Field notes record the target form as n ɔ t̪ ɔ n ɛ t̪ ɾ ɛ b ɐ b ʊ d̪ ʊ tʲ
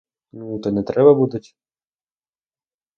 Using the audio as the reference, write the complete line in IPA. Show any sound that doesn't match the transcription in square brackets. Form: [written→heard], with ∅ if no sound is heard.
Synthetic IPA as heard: n [ɔ→u] t̪ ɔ n ɛ t̪ ɾ ɛ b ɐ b [ʊ→u] d̪ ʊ tʲ